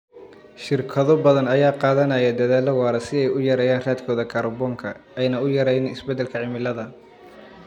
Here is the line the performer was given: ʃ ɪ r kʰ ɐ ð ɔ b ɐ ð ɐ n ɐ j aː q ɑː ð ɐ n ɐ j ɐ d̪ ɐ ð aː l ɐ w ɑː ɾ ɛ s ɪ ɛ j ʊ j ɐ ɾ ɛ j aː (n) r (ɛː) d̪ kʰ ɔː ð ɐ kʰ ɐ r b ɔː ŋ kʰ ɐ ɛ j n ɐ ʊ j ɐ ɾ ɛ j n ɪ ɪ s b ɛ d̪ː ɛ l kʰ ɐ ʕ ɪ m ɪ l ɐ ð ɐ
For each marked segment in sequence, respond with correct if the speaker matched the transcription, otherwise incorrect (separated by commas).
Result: correct, incorrect